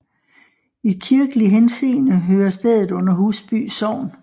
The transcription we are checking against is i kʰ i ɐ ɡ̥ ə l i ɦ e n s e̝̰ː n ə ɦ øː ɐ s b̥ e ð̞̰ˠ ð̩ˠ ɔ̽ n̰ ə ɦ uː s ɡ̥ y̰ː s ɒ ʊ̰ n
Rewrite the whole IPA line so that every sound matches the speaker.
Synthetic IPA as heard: i kʰ i ɐ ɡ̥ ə l i ɦ e n s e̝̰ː n ə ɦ øː ɐ s d̥ e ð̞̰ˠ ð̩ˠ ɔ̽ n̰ ɐ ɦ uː s b̥ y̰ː s ɒ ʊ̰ n